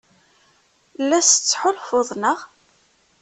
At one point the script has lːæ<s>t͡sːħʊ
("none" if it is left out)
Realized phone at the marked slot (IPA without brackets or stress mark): s